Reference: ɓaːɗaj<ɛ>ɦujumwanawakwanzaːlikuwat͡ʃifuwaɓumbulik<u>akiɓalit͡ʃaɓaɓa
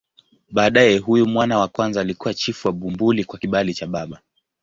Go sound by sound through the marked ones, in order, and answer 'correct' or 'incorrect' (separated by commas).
correct, incorrect